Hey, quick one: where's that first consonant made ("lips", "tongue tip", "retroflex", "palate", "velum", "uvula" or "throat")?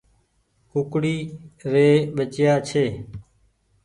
velum